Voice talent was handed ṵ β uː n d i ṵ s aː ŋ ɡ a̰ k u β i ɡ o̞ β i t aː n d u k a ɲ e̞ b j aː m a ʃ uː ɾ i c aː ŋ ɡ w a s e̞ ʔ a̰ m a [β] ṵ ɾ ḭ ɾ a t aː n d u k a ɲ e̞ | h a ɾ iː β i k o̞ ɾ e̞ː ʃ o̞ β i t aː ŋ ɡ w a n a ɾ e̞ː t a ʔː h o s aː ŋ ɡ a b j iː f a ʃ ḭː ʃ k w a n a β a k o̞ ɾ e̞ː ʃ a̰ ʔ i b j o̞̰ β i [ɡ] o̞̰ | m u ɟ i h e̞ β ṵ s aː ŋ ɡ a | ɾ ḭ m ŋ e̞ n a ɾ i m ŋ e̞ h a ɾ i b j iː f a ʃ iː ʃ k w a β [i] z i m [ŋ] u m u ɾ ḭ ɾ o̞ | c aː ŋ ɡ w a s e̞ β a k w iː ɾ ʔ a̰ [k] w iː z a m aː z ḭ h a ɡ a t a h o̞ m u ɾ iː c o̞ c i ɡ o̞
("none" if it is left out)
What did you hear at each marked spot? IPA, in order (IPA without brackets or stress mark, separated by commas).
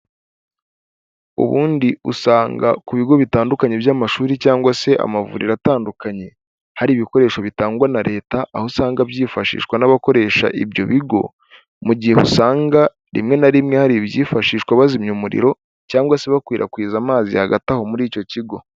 v, ɡ, a, ɲ, k